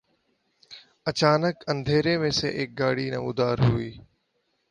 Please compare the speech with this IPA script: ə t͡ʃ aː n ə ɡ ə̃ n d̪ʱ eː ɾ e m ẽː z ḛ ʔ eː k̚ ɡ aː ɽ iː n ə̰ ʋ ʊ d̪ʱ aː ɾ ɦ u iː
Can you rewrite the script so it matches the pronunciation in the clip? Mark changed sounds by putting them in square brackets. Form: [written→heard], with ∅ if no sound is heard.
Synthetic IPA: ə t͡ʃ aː n ə [ɡ→k] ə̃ n d̪ʱ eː ɾ e m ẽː [z→s] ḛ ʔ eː k̚ ɡ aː ɽ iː n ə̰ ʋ ʊ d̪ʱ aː ɾ ɦ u iː